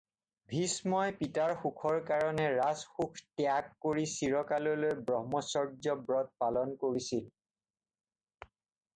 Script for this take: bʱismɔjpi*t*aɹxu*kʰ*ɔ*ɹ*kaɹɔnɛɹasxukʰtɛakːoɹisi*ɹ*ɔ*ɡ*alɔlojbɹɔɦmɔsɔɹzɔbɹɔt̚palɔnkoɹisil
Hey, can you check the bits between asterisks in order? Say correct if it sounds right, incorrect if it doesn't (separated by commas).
correct, correct, correct, correct, incorrect